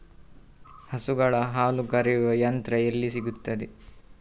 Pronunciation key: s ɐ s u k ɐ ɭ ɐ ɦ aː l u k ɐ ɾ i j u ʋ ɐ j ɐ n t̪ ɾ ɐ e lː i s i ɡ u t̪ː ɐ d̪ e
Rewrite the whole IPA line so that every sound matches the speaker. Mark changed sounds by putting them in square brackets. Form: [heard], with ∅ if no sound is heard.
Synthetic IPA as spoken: [h] ɐ s u [ɡ] ɐ ɭ ɐ ɦ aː l u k ɐ ɾ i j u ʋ ɐ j ɐ n t̪ ɾ ɐ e lː i s i ɡ u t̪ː ɐ d̪ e